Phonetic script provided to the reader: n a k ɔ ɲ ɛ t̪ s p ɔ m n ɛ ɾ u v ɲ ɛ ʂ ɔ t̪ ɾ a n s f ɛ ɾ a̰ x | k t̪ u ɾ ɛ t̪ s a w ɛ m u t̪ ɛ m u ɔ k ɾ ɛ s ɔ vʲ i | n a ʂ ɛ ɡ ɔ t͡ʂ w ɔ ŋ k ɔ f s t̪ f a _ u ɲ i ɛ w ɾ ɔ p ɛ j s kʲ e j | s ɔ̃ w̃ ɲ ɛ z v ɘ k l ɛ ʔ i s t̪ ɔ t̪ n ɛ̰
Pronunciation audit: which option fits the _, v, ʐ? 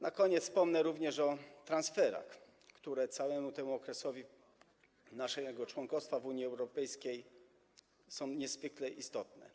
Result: v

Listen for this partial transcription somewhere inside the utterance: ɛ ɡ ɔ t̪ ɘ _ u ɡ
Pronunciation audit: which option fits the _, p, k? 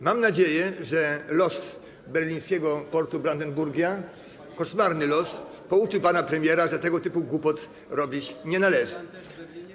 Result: p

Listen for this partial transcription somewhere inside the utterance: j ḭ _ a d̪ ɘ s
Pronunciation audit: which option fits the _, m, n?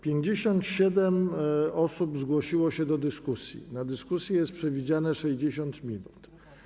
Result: n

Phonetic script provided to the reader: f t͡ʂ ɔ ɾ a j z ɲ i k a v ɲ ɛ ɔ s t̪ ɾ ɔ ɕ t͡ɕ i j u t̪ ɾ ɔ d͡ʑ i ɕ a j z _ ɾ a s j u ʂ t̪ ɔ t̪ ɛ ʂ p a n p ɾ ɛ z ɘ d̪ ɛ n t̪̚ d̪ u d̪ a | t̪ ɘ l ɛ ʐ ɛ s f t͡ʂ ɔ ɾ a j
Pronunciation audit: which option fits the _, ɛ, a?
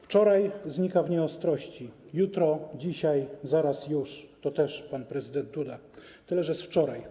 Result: a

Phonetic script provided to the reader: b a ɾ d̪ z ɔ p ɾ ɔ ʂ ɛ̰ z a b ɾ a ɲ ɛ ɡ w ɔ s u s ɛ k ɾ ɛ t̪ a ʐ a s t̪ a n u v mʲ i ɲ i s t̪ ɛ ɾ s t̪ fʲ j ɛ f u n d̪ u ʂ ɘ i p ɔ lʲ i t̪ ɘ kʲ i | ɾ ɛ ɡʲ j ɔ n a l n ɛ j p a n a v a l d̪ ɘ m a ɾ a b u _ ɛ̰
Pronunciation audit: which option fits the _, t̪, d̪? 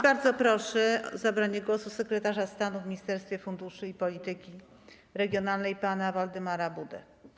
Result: d̪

